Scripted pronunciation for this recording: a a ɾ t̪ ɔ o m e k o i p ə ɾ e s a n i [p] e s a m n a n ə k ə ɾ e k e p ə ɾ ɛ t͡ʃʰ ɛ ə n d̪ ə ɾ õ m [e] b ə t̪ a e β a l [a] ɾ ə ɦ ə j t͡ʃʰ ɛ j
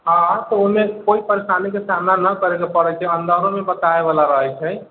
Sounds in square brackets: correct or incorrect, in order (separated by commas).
incorrect, correct, correct